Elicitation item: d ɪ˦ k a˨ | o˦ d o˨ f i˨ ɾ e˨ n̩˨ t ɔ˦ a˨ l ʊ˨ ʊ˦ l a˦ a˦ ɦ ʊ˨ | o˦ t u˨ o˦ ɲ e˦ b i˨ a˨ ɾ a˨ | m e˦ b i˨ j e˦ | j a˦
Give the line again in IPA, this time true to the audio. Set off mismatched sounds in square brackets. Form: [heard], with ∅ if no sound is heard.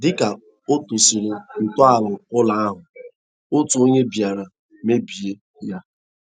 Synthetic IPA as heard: d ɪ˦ k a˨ | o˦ [t] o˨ [s] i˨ ɾ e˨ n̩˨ t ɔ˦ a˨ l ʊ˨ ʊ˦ l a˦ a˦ ɦ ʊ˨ | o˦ t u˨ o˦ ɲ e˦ b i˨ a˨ ɾ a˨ | m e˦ b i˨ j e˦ | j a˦

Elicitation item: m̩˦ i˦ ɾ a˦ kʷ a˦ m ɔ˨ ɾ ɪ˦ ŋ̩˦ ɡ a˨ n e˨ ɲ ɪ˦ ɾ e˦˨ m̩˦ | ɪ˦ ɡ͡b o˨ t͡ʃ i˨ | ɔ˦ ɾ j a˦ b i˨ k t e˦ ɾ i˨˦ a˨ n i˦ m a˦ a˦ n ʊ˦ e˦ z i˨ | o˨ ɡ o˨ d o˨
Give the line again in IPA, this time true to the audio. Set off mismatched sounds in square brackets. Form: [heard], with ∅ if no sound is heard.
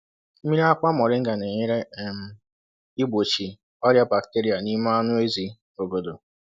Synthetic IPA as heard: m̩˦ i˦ ɾ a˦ kʷ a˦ m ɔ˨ ɾ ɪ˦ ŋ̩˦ ɡ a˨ n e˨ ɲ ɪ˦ ɾ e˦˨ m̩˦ | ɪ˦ ɡ͡b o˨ t͡ʃ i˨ | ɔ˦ ɾ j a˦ b [a˨] k t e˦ ɾ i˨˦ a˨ n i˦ m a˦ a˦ n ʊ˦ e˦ z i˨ | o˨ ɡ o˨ d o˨

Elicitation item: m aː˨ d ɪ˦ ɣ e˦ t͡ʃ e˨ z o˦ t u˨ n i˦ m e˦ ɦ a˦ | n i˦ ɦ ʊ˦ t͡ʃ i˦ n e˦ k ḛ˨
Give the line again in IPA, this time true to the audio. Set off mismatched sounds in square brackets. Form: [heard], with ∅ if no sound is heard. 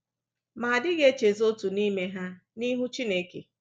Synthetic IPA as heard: m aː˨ d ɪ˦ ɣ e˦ t͡ʃ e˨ z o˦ t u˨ n i˦ m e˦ ɦ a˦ | n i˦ ɦ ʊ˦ t͡ʃ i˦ n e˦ k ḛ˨

